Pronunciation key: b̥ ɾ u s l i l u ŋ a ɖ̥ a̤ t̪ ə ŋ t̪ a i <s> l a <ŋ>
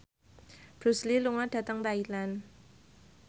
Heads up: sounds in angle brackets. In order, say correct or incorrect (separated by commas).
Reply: incorrect, incorrect